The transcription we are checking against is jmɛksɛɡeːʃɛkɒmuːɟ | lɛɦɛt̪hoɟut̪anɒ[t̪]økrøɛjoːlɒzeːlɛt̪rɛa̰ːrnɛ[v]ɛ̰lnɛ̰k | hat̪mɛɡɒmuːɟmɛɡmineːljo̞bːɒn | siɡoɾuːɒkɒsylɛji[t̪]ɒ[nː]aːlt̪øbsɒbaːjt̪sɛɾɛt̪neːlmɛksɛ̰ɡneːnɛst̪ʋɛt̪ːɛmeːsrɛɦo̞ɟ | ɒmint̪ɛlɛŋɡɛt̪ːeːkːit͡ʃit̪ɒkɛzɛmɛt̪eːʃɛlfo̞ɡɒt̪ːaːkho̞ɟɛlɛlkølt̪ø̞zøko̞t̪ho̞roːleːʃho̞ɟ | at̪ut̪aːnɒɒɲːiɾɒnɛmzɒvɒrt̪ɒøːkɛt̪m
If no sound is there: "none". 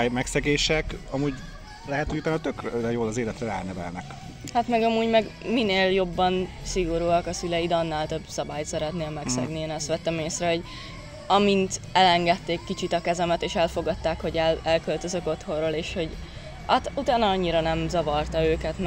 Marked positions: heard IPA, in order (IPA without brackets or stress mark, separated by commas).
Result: t̪, v, d̪, nː